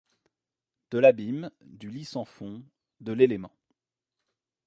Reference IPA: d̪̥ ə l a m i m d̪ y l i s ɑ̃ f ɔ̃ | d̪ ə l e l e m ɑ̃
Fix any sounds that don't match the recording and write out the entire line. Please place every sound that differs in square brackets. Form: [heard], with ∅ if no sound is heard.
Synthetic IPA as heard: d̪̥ ə l a [b] i m d̪ y l i s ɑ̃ f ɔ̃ | d̪ ə l e l e m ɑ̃